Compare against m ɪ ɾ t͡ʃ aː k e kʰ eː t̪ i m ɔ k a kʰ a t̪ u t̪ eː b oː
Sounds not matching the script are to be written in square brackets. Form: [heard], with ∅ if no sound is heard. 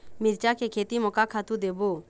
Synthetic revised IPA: m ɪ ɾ t͡ʃ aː k e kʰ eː t̪ i m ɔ k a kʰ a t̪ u [d̪] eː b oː